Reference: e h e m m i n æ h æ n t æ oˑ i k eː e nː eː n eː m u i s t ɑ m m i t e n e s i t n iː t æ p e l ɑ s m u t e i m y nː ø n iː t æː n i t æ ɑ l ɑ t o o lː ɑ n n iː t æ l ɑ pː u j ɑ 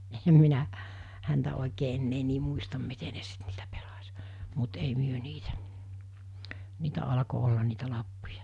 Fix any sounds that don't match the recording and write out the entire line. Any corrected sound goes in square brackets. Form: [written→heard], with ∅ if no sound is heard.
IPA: e h e m m i n æ h æ n t æ oˑ i k eː e nː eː n [eː→iː] m u i s t ɑ m m i t e n e s i t n iː t æ p e l ɑ s m u t e i m y [nː→∅] ø n iː t [æː→æ] n [i→iː] t æ ɑ l ɑ [t→k] o o lː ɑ n n iː t æ l ɑ pː u j ɑ

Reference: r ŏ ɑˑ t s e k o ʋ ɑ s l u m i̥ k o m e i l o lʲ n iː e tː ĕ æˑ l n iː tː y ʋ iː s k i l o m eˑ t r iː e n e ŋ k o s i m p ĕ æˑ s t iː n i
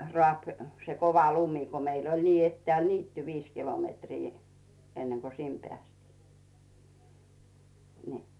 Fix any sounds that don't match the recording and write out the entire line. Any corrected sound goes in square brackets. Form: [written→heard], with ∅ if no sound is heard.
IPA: r ŏ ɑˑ [t→p] s e k o ʋ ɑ [s→∅] l u m i̥ k o m e i l o lʲ n iː e tː ĕ æˑ l n iː tː y ʋ iː s k i l o m eˑ t r iː e [n→nː] e ŋ k o s i m p ĕ æˑ s t iː n i

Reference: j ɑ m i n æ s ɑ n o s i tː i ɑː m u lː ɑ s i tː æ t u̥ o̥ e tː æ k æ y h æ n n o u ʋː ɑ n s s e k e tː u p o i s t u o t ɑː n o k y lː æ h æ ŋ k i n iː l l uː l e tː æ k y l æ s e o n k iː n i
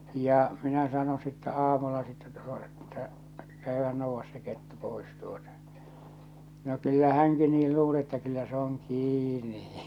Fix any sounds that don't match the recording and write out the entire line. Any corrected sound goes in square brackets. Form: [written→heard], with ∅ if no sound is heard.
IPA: j ɑ m i n æ s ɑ n o s i tː [i→æ] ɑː m u lː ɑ s i tː æ t u̥ o̥ e tː æ k æ y h æ n n o u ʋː ɑ [n→∅] s s e k e tː u p o i s t u o t [ɑː→ɑ] n o k y lː æ h æ ŋ k i n iː l l uː l e tː æ k y [l→lː] æ s e o [n→ŋ] k iː n i

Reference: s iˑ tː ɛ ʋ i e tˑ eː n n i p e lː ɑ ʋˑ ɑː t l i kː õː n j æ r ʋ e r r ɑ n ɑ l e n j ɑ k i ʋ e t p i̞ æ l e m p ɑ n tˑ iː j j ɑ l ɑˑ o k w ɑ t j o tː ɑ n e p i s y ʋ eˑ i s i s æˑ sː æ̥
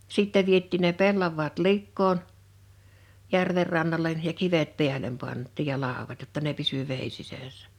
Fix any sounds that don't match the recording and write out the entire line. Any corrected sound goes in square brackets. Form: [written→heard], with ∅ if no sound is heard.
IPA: s iˑ tː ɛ ʋ i e tˑ [eː→iː] n n [i→e] p e lː ɑ ʋˑ ɑː t l i kː [õː→oː] n j æ r ʋ e r r ɑ [n→nː] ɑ l e n j ɑ k i ʋ e t p i̞ æ l e m p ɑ n tˑ iː j j ɑ l ɑˑ o [k→∅] w ɑ t j o tː ɑ n e p i s y ʋ eˑ i s i s æˑ sː æ̥

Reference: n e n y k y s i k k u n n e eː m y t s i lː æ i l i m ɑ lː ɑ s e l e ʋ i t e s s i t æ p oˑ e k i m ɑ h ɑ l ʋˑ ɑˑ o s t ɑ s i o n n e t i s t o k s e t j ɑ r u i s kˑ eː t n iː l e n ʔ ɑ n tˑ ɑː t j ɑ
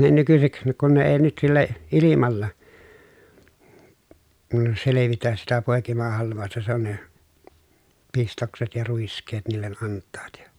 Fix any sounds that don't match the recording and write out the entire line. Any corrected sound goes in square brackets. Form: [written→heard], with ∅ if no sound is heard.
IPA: n e n y k y s i k k u n n e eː [m→n] y t s i lː æ i l i m ɑ lː ɑ s e l e ʋ i t [e→æ] s s i t æ p oˑ e k i m ɑ h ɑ l ʋˑ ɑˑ o s t ɑ s [i→e] o n n e [t→p] i s t o k s e t j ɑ r u i s kˑ eː t n iː [l→lː] e n ʔ ɑ n tˑ ɑː t j ɑ

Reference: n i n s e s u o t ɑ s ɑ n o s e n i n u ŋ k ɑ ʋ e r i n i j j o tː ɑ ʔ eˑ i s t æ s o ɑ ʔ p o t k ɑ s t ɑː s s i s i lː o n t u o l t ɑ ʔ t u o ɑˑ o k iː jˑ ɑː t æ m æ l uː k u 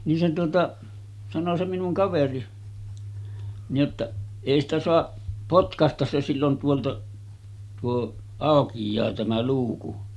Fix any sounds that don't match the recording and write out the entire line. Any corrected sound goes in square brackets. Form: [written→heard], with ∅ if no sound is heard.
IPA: n i n s e [s→t] u o t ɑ s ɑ n o s e [n→m] i n u ŋ k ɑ ʋ e r i n i j j o tː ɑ ʔ eˑ i s t æ s o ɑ ʔ p o t k ɑ s t [ɑː→ɑ] s s [i→e] s i lː o n t u o l t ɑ ʔ t u o ɑˑ o k [iː→i] jˑ ɑː t æ m æ l uː k u

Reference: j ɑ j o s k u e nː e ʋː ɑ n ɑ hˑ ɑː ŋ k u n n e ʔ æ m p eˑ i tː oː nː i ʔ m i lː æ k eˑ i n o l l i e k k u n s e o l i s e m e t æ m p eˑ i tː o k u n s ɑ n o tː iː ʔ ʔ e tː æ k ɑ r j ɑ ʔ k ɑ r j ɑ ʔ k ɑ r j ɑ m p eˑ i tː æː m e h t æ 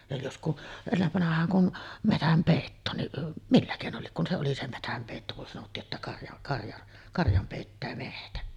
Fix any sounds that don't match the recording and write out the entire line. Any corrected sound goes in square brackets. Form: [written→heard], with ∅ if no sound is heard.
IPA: j ɑ j o s k u e nː e ʋː ɑ n ɑ hˑ ɑː ŋ k u n [n→m] e [ʔ→t] æ m p eˑ i tː oː nː i ʔ m i lː æ k eˑ i n o l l i e k k u n s e o l i s e m e t æ m p eˑ i tː o k u n s ɑ n o tː iː ʔ ʔ e tː æ k ɑ r j ɑ ʔ k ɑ r j ɑ ʔ k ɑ r j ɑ m p eˑ i tː æː m e h t æ

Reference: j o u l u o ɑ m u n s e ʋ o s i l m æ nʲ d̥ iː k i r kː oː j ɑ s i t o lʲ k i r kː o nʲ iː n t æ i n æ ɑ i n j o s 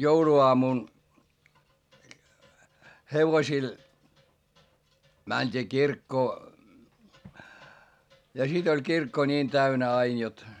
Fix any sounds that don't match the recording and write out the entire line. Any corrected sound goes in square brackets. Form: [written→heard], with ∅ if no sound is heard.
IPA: j o u l u o ɑ m u n [s→h] e ʋ o s i l m æ nʲ d̥ iː k i r kː oː j ɑ s i t o lʲ k i r kː o nʲ iː n t æ [i→y] n æ ɑ i n j o [s→t]

